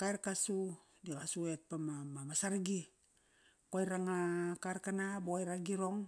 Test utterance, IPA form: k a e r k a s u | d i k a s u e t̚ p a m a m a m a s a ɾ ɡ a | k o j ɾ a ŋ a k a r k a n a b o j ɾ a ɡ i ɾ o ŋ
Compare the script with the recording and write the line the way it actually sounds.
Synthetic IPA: k a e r k a s u | d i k a s u e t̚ p a m a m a m a s a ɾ ɡ i | k o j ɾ a ŋ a k a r k a n a b o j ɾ a ɡ i ɾ o ŋ

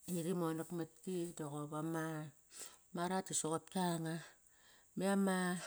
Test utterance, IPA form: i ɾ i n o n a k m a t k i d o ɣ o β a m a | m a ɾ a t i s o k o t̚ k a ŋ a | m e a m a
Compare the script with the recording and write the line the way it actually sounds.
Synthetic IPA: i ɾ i m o n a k m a t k i d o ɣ o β a m a | m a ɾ a t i s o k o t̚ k a ŋ a | m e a m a

